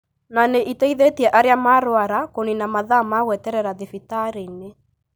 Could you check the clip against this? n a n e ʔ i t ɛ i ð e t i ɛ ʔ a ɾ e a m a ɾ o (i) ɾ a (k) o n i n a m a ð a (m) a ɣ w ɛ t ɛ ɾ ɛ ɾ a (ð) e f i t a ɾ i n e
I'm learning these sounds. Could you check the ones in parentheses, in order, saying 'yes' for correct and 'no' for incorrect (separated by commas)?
no, yes, yes, yes